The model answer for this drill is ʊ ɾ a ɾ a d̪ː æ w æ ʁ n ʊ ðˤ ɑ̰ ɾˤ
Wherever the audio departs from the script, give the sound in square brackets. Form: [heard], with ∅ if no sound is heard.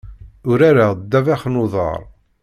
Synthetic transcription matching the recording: ʊ ɾ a ɾ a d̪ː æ [v] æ [χ] n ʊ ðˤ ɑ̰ ɾˤ